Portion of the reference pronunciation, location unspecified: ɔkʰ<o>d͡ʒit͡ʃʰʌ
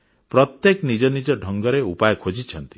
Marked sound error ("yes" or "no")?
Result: no